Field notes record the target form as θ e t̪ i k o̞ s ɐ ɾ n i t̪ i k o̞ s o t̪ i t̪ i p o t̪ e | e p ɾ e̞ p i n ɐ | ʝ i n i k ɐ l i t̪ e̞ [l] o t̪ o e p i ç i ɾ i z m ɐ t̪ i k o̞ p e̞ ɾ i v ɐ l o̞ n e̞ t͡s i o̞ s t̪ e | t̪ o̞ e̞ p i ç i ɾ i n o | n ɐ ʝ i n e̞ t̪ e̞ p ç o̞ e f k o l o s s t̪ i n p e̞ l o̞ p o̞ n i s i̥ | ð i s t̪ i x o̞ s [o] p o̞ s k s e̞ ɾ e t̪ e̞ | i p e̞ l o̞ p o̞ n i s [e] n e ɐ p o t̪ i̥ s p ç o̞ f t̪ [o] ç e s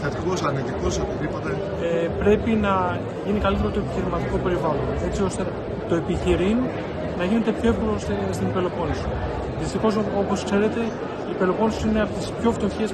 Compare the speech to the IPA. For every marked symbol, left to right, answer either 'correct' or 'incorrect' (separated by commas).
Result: incorrect, correct, incorrect, correct